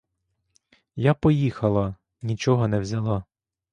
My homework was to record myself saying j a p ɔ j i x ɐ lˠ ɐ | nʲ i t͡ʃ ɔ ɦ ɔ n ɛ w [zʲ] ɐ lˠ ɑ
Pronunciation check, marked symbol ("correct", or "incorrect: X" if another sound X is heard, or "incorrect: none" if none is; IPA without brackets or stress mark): correct